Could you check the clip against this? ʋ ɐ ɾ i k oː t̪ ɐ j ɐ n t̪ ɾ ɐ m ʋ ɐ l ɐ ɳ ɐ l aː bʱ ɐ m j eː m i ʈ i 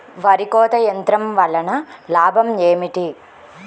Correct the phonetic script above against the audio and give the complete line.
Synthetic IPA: ʋ ɐ ɾ i k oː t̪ ɐ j ɐ n t̪ ɾ ɐ m ʋ ɐ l ɐ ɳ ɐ l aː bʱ ɐ m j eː m i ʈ i